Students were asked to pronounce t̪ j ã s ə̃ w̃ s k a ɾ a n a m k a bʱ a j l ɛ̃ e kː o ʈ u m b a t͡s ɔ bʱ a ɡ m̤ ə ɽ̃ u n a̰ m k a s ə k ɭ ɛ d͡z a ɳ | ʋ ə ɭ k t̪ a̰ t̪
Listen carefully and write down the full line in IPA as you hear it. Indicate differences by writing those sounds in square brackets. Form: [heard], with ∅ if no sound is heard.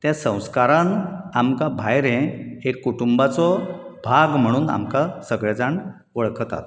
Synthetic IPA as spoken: t̪ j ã s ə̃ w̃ s k a ɾ a n a m k a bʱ a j [ɾ] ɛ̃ e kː [u] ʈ u m b a t͡s ɔ bʱ a ɡ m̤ ə ɽ̃ [uː] n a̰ m k a s ə [ɡ] ɭ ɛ d͡z a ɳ | ʋ ə ɭ k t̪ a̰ t̪